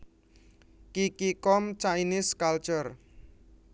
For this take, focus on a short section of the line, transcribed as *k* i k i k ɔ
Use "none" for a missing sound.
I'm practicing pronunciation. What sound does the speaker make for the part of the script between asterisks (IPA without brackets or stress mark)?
k